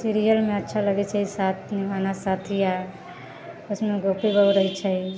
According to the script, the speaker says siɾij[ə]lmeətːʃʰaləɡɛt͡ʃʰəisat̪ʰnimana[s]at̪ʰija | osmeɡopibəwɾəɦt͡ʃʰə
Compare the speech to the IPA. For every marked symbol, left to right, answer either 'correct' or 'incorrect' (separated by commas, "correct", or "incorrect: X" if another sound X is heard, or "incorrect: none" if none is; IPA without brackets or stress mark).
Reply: correct, correct